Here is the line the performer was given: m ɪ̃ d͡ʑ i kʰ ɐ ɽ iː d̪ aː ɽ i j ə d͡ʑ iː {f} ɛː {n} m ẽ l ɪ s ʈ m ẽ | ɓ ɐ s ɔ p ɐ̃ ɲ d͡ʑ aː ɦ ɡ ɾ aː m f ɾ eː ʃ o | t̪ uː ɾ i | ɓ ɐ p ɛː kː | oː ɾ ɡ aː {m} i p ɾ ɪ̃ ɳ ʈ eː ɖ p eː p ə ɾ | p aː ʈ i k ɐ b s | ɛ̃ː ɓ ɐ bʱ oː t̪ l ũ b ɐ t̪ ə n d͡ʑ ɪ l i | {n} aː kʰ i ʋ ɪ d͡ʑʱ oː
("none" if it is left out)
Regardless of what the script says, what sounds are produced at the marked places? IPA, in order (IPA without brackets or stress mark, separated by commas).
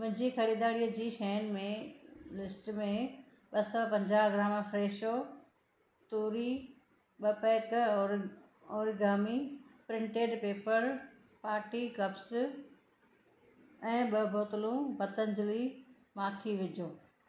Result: ʃ, n, m, m